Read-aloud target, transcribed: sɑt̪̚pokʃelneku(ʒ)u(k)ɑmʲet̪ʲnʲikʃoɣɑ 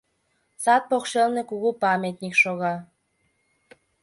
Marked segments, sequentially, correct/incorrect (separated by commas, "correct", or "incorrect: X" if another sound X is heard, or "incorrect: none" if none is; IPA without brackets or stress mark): incorrect: ɣ, incorrect: p